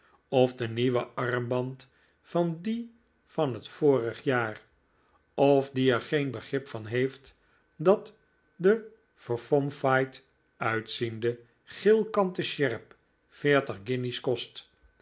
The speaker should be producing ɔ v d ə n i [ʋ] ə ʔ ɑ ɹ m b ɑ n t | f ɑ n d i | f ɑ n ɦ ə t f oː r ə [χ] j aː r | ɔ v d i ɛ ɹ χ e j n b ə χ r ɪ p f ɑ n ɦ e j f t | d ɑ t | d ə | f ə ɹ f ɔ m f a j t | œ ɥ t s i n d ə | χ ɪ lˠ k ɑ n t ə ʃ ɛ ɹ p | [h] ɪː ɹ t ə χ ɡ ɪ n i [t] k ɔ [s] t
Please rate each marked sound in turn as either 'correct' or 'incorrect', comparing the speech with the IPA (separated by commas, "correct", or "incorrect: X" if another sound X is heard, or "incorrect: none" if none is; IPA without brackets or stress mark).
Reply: correct, correct, incorrect: f, incorrect: s, correct